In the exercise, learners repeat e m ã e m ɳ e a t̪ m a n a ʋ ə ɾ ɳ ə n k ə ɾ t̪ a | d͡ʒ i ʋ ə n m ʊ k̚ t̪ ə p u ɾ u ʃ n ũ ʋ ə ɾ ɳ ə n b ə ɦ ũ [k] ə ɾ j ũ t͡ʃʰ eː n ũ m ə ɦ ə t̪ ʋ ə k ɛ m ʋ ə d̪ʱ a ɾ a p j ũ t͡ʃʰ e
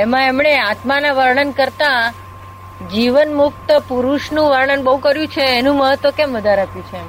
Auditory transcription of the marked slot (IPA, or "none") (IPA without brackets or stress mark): k